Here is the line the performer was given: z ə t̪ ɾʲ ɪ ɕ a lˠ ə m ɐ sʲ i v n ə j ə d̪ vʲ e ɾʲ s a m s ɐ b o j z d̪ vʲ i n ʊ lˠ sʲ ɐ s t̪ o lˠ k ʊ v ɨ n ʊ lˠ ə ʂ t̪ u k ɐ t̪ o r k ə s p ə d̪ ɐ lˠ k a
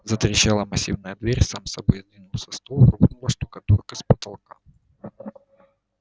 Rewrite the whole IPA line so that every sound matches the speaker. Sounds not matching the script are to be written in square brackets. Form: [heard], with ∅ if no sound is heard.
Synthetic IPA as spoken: z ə t̪ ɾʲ ɪ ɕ a lˠ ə m ɐ sʲ i v n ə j ə d̪ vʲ e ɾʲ s a m s ɐ b o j z d̪ vʲ i n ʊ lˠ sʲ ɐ s t̪ o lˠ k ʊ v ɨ n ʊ lˠ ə ʂ t̪ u k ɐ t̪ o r k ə s p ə [t̪] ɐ lˠ k a